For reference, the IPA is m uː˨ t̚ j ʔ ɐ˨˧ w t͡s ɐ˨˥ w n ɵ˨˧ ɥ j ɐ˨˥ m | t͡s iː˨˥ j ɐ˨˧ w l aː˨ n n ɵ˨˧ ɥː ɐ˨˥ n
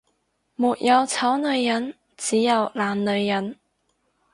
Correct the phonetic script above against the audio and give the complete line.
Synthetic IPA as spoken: m uː˨ t̚ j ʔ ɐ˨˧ w t͡sʰ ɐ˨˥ w n ɵ˨˧ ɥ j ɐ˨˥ n | t͡s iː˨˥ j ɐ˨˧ w l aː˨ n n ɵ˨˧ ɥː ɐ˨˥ n

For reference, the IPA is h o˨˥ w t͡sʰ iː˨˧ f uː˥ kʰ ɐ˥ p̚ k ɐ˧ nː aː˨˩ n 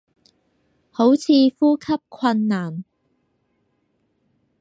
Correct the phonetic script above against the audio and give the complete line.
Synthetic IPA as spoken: h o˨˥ w t͡sʰ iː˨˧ f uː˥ kʰ ɐ˥ p̚ kʰ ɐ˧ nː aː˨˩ n

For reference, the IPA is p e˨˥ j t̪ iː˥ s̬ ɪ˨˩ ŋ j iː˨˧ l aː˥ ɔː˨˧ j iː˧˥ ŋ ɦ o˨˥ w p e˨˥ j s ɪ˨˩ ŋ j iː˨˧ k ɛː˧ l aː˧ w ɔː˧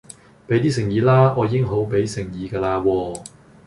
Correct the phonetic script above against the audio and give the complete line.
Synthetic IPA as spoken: p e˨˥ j t̪ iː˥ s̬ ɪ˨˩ ŋ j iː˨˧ l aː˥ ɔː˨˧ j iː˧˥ ŋ ɦ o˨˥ w p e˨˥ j s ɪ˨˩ ŋ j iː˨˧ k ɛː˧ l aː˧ w ɔː˧

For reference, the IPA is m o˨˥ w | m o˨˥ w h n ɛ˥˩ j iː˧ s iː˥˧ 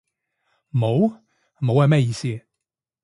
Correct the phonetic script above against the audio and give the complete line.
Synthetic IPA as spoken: m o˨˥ w | m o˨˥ w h m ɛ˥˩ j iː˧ s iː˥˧

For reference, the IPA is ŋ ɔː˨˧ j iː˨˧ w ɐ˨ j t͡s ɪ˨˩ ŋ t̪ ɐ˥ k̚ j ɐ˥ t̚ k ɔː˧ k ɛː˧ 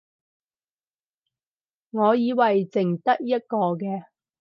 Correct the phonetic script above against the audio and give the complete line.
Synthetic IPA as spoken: ŋ ɔː˨˧ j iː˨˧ w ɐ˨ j t͡s ɪ˨˩ ŋ t̪ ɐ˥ k̚ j ɐ˥ t̚ k ɔː˧ k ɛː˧

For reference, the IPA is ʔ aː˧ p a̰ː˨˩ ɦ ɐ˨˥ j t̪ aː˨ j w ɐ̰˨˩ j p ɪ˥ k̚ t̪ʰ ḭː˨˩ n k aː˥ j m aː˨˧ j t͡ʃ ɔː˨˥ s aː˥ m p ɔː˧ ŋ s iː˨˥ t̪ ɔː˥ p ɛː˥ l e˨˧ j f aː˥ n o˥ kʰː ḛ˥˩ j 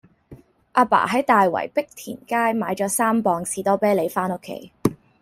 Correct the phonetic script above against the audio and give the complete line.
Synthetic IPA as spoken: ʔ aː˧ p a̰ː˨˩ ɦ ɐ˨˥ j t̪ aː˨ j w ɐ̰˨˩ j p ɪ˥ k̚ t̪ʰ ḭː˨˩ n k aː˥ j m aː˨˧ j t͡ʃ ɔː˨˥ s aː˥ m p ɔː˧ ŋ s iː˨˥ t̪ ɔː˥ p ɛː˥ l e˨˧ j f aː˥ n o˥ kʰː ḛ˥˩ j

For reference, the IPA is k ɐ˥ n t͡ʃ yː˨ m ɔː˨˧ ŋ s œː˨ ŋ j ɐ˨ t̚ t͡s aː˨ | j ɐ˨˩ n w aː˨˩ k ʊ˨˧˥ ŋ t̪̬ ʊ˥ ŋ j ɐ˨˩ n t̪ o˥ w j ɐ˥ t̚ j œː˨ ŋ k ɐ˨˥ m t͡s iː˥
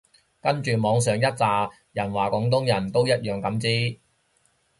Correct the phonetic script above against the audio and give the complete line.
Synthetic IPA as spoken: k ɐ˥ n t͡ʃ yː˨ m ɔː˨˧ ŋ s œː˨ ŋ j ɐ˥ t̚ t͡s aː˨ | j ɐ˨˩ n w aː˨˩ k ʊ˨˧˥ ŋ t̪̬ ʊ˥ ŋ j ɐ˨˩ n t̪ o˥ w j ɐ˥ t̚ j œː˨ ŋ k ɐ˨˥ m t͡s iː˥

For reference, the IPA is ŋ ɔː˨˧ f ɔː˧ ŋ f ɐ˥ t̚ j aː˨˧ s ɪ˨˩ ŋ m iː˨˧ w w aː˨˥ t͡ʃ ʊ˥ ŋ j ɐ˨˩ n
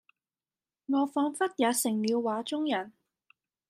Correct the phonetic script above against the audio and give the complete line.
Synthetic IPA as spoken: ŋ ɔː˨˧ f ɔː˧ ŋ f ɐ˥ t̚ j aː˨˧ s ɪ˨˩ ŋ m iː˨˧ w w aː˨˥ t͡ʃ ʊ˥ ŋ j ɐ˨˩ n

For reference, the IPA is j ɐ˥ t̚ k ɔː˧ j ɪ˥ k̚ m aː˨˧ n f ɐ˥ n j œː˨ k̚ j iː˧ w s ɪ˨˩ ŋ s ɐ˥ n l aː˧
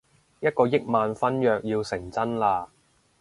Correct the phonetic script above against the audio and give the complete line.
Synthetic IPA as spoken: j ɐ˥ t̚ k ɔː˧ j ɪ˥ k̚ m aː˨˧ n f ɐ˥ n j œː˨ k̚ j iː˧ w s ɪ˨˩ ŋ t͡s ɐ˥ n l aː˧

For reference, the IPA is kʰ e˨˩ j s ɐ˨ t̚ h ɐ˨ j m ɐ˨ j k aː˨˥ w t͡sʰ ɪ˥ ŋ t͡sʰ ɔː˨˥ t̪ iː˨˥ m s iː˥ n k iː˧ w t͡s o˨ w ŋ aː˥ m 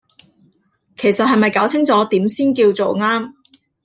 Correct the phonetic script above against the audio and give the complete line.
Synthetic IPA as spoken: kʰ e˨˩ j s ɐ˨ t̚ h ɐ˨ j m ɐ˨ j k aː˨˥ w t͡sʰ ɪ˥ ŋ t͡s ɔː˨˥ t̪ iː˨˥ m s iː˥ n k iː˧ w t͡s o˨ w ŋ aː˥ m

